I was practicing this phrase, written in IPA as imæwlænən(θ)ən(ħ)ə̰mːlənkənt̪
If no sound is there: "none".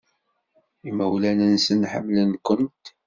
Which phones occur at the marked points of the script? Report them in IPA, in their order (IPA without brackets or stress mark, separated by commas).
s, ħ